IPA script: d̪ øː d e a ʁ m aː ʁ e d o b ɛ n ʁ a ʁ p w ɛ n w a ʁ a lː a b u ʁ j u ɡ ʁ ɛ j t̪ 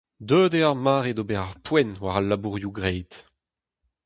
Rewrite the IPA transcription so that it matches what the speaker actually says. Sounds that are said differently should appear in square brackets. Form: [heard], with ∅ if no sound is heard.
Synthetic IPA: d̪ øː d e a ʁ m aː ʁ e d o b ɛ [∅] ʁ a ʁ p w ɛ n w a ʁ a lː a b u ʁ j u ɡ ʁ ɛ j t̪